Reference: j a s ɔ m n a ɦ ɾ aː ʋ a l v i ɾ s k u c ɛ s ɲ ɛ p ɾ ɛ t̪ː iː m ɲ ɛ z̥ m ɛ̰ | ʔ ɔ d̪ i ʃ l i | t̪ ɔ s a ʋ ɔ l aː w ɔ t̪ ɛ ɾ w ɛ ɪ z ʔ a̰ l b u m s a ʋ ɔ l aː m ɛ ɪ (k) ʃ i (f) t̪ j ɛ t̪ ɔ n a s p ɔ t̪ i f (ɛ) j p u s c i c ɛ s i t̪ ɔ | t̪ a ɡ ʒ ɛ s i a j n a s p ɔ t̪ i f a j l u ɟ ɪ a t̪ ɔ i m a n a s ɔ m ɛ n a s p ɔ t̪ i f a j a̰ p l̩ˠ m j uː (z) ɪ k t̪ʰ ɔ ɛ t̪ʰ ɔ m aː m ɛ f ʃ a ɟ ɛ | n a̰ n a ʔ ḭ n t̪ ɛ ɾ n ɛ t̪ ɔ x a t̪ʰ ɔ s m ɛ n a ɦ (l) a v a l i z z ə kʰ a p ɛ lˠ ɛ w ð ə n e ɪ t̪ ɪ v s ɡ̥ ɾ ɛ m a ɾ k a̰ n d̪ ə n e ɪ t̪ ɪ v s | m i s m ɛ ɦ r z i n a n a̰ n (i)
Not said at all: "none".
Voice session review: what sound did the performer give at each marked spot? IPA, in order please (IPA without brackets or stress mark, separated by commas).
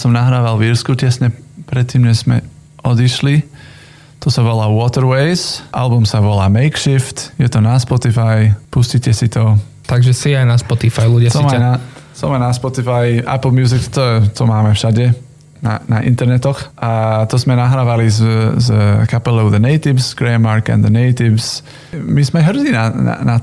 k, f, a, z, ɾ, a